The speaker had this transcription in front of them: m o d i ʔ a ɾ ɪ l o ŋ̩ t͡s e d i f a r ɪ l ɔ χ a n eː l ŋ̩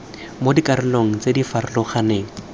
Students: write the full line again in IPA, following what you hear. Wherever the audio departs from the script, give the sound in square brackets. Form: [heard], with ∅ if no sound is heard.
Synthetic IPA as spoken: m o d i [k] a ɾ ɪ l o ŋ̩ t͡s e d i f a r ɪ l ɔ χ a n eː [∅] ŋ̩